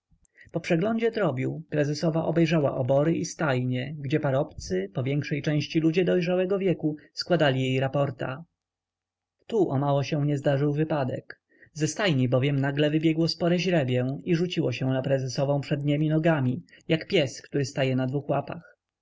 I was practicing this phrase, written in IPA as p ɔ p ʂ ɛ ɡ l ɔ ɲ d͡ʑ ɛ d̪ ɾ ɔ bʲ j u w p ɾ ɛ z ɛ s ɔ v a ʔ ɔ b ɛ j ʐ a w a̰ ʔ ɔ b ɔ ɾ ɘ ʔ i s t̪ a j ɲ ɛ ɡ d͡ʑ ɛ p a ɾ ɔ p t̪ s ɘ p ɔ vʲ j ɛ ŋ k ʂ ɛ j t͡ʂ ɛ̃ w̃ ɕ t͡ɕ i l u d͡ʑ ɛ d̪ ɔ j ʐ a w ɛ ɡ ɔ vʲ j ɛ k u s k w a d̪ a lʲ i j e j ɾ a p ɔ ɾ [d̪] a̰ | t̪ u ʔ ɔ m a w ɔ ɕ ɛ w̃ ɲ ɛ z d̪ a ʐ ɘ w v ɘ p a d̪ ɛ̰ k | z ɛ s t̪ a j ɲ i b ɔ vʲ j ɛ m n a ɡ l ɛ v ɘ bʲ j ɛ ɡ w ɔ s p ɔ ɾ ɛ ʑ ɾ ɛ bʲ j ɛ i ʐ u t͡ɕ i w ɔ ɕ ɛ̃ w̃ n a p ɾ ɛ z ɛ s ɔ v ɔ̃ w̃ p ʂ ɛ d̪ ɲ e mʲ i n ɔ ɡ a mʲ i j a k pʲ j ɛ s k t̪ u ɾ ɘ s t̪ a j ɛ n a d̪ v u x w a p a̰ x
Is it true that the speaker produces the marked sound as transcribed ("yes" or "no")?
no